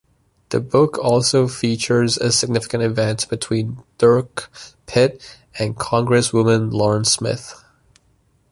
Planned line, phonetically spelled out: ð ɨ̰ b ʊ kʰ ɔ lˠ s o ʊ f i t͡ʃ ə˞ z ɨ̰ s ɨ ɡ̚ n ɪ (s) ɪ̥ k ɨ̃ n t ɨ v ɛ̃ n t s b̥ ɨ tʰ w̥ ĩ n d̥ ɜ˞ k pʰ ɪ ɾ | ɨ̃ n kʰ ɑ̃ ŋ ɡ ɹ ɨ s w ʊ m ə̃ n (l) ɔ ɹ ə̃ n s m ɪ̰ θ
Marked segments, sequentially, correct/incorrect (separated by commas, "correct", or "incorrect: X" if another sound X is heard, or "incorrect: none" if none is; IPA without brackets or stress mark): incorrect: f, correct